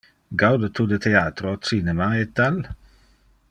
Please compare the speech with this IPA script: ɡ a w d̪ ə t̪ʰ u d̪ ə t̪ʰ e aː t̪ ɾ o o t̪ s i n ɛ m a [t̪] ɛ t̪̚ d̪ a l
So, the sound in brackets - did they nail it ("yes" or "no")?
no